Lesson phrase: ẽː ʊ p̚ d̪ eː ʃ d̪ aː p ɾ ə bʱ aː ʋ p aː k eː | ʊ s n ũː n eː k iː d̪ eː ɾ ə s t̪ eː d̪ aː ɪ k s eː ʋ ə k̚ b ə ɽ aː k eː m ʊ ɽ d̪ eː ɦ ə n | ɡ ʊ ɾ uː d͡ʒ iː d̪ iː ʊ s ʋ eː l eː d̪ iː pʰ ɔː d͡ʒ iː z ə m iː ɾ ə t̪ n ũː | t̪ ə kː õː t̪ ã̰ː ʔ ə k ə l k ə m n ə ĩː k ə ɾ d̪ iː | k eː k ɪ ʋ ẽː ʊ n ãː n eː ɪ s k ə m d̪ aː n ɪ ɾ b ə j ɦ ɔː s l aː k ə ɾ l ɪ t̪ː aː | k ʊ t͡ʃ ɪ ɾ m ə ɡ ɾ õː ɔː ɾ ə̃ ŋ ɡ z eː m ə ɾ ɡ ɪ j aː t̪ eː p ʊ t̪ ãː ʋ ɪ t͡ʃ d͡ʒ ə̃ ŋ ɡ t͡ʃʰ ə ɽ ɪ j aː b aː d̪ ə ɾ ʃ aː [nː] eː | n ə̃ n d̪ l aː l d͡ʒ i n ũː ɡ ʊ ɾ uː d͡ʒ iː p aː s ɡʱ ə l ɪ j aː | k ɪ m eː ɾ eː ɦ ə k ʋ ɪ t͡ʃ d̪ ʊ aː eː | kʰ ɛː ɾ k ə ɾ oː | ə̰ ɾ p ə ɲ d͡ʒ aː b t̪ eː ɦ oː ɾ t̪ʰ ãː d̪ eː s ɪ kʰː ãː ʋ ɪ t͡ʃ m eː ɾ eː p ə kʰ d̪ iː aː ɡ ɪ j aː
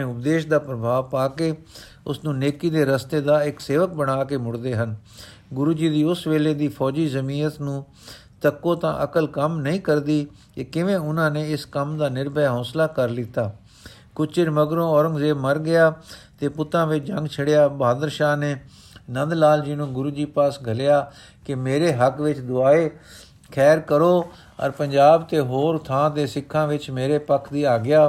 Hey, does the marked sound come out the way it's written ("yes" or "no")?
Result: no